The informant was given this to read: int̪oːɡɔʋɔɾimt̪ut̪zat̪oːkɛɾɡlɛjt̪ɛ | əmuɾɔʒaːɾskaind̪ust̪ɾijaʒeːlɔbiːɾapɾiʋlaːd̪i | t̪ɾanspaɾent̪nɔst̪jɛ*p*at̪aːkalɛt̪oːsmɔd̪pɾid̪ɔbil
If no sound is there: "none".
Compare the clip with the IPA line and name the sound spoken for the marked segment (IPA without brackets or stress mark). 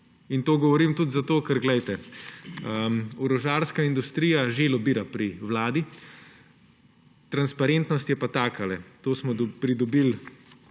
p